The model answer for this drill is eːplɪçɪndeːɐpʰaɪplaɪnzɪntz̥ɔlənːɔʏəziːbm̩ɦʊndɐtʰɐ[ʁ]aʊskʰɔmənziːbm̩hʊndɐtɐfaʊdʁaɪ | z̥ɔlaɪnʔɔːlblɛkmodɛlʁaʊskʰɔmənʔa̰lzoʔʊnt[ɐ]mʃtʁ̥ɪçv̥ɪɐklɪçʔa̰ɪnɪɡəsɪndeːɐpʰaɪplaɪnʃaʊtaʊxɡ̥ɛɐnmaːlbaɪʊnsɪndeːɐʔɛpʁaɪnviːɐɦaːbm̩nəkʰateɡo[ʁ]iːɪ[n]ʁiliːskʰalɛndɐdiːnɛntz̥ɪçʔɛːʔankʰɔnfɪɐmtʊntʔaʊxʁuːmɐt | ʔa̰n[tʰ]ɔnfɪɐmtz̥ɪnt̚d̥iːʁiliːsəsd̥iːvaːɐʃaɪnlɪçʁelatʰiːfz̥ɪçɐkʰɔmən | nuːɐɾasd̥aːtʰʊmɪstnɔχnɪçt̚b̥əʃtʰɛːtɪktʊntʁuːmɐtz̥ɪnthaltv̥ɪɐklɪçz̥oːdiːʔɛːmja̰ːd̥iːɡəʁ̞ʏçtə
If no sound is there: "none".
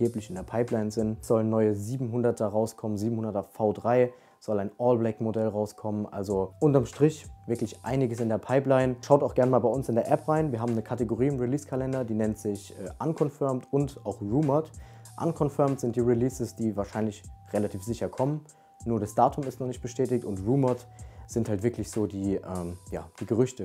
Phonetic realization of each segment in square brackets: ʁ, ɐ, ʁ, m, kʰ

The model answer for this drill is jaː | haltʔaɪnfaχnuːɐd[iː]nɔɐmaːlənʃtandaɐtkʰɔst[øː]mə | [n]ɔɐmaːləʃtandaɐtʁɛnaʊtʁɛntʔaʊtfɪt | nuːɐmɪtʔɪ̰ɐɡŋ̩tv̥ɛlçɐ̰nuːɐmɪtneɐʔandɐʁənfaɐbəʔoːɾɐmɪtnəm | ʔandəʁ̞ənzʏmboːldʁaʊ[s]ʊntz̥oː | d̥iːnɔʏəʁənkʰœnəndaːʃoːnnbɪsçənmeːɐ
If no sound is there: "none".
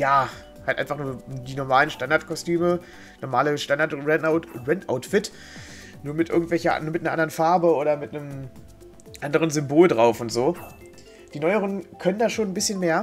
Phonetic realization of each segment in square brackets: iː, yː, n, f

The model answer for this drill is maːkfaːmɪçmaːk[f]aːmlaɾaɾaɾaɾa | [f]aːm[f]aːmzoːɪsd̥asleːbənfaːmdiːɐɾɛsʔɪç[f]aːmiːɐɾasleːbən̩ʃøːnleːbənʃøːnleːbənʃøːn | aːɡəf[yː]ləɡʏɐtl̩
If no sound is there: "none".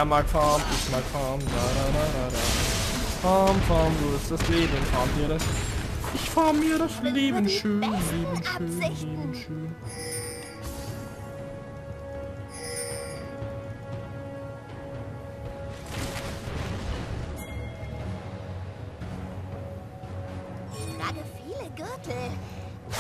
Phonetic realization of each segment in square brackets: f, f, f, f, iː

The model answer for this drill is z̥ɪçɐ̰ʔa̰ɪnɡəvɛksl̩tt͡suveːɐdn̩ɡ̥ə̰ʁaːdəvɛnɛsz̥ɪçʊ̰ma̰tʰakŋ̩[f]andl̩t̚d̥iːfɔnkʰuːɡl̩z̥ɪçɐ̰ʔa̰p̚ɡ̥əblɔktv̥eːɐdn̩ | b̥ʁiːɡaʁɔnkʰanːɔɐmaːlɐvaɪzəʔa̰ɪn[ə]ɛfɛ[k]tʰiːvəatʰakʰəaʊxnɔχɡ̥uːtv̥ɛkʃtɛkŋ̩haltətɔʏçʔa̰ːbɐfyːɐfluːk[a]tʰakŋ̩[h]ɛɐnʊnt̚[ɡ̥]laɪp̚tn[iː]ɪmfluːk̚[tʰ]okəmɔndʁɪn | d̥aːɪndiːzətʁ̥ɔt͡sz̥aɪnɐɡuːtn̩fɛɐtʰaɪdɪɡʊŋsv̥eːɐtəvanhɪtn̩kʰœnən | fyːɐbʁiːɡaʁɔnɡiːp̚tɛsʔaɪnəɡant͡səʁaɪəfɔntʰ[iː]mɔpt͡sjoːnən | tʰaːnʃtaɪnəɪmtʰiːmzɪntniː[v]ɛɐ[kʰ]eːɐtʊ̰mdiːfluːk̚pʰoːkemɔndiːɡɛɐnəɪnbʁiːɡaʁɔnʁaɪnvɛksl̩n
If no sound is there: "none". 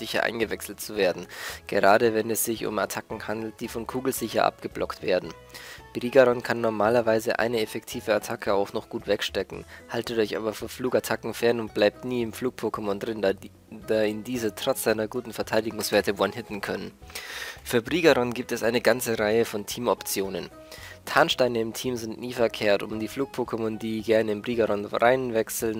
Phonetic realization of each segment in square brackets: h, ə, k, a, f, b̥, iː, pʰ, iː, f, kʰ

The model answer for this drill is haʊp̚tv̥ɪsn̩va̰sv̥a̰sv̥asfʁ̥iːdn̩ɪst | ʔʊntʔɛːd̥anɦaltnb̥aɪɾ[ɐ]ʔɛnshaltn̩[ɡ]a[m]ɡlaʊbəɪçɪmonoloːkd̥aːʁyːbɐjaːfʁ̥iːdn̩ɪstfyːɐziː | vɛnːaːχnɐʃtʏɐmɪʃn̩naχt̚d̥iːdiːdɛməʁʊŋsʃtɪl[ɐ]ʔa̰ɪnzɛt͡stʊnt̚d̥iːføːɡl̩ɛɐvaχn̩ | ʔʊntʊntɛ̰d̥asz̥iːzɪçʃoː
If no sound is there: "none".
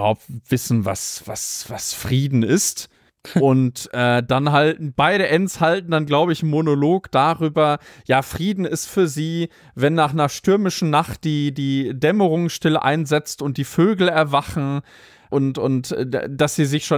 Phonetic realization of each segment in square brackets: ə, d, n, ə

